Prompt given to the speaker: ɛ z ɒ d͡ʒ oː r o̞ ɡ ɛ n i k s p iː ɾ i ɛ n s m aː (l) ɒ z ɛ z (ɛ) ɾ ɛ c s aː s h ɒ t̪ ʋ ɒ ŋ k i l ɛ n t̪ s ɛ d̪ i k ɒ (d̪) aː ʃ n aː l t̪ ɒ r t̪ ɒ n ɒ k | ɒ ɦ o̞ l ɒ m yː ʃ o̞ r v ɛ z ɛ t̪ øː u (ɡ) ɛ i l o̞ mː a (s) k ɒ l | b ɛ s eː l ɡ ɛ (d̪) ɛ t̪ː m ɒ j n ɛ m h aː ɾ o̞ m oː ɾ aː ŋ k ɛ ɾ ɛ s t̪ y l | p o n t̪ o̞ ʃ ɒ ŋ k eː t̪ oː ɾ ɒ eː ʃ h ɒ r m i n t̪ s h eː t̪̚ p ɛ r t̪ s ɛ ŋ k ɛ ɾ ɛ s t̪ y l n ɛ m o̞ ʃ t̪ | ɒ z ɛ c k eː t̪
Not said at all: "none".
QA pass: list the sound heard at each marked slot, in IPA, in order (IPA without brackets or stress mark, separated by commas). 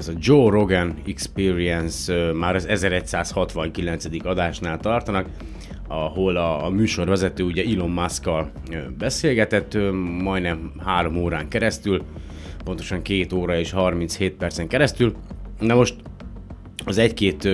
ɾ, ɛ, d̪, ɟ, s, t̪